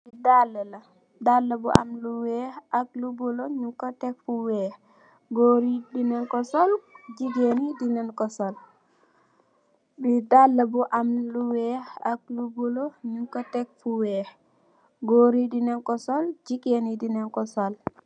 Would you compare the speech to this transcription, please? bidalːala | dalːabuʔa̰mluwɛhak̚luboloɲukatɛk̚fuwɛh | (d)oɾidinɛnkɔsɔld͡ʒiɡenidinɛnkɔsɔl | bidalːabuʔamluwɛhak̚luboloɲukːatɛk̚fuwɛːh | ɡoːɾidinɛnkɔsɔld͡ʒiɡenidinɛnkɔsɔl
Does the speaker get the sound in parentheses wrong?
yes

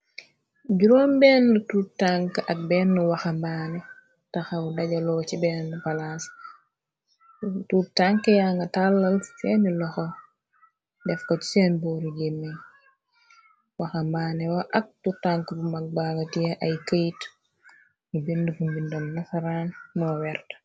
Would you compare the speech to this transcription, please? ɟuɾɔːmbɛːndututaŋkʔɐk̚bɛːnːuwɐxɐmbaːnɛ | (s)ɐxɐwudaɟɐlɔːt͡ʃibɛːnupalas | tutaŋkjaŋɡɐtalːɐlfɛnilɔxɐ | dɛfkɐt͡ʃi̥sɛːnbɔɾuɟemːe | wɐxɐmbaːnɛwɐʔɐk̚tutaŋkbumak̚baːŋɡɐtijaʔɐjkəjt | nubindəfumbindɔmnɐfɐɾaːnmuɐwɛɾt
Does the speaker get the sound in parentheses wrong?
yes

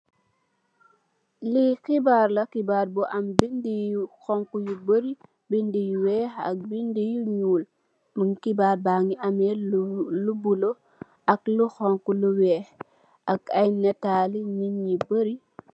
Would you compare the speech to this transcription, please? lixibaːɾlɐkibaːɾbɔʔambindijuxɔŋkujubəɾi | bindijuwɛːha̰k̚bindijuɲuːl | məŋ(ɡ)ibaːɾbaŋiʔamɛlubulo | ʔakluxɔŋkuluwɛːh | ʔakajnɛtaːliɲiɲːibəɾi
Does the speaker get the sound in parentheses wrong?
yes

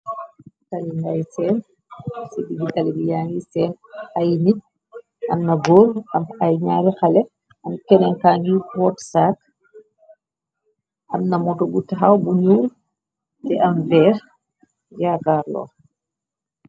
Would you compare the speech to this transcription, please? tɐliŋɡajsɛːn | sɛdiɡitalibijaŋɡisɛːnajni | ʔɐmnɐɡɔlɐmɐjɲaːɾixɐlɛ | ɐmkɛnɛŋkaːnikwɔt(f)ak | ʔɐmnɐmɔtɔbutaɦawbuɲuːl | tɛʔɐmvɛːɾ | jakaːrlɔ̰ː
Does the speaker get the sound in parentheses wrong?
yes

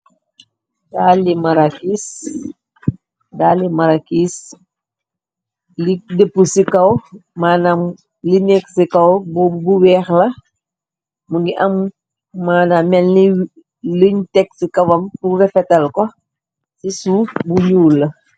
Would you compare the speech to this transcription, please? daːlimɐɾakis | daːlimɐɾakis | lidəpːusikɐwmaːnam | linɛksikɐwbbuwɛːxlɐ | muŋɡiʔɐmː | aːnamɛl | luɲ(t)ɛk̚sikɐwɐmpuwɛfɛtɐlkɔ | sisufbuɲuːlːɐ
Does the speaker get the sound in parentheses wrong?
no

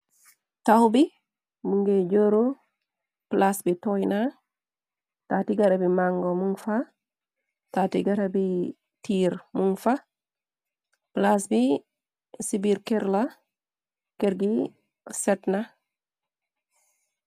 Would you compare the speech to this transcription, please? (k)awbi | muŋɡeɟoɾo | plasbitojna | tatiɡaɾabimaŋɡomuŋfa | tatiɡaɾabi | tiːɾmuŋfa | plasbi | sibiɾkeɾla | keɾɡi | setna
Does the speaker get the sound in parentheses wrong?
yes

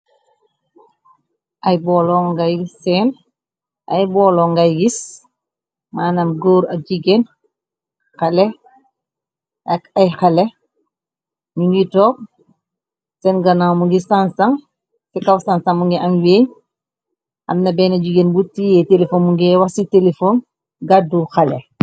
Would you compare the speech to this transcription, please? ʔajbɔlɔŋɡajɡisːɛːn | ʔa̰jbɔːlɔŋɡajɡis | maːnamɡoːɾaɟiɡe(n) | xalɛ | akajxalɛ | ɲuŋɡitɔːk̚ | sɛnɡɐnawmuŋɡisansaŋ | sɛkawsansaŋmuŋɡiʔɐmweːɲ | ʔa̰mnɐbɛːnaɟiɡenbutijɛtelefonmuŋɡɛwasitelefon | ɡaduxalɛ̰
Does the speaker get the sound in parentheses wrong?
no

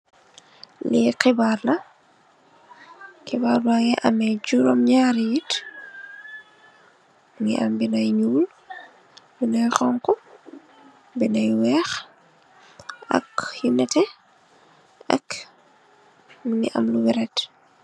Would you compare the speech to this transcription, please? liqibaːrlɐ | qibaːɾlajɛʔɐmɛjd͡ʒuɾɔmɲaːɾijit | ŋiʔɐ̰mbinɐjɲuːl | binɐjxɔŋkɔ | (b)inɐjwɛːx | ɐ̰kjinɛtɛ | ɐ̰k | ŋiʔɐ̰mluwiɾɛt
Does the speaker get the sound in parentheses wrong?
no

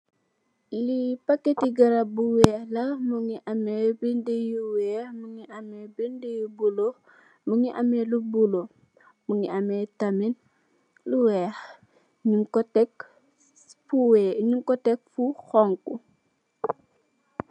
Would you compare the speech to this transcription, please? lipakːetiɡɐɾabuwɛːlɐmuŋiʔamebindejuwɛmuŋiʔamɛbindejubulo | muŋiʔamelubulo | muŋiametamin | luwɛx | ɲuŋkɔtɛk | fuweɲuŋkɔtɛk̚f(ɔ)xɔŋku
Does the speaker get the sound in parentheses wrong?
yes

